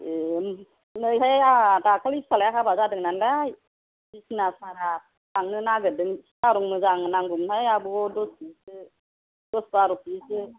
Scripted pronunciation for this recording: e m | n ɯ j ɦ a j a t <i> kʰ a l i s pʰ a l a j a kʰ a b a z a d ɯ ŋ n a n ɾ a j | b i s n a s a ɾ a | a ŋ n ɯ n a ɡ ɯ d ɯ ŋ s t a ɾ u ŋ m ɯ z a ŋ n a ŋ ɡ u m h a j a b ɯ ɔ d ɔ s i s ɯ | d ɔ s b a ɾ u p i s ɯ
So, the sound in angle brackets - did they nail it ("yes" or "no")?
no